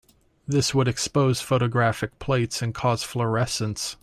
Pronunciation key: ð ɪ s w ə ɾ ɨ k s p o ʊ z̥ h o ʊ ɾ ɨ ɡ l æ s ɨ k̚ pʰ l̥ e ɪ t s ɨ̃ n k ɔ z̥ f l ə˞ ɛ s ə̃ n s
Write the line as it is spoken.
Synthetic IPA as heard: ð ɪ s w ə ɾ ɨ k s p o ʊ z̥ f o ʊ ɾ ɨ ɡ ɹ æ f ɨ k̚ pʰ l̥ e ɪ t s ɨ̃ n kʰ ɔ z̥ f l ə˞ ɛ s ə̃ n s